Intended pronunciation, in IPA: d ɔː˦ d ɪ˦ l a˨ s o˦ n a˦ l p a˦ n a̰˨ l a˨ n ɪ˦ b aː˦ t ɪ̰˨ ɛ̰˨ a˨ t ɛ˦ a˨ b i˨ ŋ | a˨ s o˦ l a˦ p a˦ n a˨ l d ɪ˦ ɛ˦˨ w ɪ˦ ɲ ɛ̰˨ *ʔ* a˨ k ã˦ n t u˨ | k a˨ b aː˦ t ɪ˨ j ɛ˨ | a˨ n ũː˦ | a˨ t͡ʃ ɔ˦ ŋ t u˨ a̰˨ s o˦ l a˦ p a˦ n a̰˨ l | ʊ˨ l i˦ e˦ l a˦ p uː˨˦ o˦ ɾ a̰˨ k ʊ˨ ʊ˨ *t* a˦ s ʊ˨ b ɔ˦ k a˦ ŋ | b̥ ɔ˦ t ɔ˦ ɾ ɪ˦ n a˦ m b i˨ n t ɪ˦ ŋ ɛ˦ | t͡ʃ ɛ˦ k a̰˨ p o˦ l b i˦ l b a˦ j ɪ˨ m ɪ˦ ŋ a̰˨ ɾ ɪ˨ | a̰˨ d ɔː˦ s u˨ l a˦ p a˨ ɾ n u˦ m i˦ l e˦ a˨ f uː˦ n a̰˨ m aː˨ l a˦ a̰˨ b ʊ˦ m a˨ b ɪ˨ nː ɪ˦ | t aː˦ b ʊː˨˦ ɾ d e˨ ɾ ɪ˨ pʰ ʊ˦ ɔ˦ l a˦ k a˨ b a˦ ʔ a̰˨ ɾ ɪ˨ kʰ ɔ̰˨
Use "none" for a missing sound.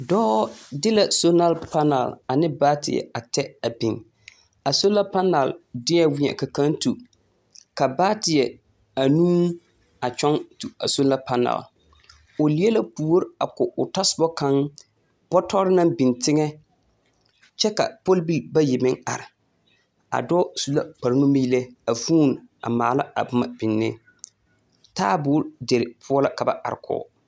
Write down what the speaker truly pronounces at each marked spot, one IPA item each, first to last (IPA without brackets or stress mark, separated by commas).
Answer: k, t